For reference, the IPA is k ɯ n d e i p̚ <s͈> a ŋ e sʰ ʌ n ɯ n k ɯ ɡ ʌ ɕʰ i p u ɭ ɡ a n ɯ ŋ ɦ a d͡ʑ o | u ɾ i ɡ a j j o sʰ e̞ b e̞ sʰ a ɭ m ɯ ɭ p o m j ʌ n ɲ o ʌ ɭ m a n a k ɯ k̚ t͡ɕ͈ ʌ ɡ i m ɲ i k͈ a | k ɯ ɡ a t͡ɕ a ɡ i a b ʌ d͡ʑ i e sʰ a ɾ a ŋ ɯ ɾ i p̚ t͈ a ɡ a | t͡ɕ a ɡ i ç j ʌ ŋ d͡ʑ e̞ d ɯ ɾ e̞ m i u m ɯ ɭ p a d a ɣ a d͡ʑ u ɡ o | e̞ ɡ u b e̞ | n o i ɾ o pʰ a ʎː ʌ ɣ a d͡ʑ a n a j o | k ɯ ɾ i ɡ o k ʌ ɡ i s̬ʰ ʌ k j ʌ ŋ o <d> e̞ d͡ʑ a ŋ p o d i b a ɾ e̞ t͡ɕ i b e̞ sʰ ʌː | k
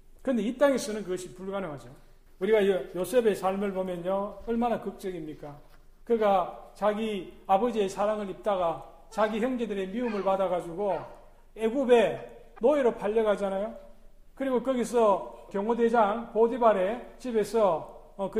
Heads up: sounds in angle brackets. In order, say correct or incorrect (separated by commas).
incorrect, correct